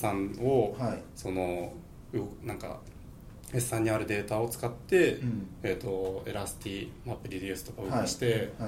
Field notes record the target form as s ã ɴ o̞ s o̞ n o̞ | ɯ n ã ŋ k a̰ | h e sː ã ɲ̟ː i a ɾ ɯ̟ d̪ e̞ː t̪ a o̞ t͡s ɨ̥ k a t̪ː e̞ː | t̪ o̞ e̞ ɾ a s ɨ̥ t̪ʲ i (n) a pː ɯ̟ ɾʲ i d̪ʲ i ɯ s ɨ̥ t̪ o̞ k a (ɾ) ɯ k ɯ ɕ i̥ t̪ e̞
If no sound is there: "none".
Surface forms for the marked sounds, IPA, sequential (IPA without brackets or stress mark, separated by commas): m, none